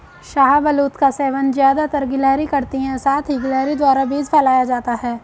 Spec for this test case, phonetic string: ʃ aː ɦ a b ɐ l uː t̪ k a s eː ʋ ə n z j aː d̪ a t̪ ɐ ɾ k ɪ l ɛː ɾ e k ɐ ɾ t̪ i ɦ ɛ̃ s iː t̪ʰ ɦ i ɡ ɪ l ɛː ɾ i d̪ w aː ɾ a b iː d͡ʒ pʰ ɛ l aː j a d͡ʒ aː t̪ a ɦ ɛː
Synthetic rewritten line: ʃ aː ɦ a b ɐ l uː t̪ k a s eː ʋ ə n z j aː d̪ a t̪ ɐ ɾ ɡ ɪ l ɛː ɾ i k ɐ ɾ t̪ i ɦ ɛ̃ s aː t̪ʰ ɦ i ɡ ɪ l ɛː ɾ i d̪ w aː ɾ a b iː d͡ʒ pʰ ɛ l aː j a d͡ʒ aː t̪ a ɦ ɛː